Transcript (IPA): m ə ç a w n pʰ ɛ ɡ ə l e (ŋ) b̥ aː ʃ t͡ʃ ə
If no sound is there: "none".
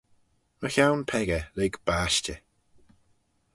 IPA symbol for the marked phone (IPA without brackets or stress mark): ɡ